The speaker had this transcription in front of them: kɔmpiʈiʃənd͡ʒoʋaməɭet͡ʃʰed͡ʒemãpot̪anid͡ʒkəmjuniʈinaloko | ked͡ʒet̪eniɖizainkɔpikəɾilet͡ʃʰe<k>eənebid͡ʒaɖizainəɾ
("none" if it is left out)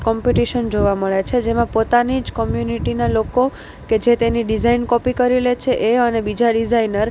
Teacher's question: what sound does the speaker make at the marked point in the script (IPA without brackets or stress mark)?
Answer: ʔ